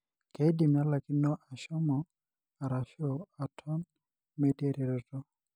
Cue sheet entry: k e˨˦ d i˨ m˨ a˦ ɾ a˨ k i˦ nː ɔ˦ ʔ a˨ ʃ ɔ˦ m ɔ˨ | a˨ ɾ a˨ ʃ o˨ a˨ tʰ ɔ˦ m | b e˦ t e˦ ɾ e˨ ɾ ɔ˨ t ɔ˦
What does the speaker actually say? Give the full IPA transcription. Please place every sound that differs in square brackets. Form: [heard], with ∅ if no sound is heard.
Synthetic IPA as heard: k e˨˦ d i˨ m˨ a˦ [l] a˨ k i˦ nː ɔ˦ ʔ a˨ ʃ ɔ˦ m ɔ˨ | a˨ ɾ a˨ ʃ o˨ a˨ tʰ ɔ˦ [n] | [m] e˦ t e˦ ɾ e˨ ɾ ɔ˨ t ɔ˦